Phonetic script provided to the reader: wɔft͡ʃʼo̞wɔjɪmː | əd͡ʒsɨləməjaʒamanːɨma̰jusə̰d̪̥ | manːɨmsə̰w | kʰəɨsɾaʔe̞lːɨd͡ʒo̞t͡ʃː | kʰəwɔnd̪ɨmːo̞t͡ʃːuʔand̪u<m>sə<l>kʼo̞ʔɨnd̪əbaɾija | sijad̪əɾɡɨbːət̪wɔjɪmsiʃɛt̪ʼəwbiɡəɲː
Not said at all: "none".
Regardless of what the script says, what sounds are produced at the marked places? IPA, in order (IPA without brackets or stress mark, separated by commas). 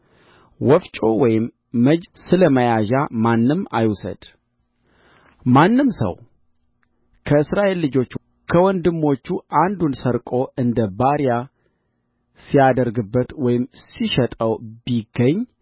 n, ɾ